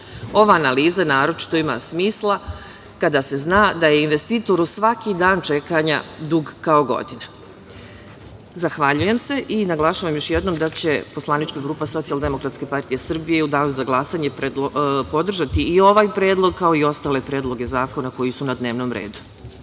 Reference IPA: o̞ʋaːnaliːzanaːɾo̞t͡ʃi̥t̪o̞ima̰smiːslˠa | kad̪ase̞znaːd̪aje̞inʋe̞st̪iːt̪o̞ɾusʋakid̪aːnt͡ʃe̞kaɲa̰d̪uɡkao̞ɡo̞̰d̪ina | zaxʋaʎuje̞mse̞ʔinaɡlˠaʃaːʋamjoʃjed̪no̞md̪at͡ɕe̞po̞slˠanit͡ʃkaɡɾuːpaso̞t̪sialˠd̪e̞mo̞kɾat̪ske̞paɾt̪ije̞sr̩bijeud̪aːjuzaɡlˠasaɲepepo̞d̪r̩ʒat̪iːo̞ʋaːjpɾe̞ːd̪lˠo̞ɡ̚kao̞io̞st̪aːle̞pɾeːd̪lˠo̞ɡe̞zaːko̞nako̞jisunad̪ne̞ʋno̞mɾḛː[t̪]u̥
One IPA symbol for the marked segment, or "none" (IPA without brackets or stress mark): d̪